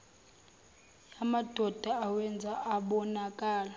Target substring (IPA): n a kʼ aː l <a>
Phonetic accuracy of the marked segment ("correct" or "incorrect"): correct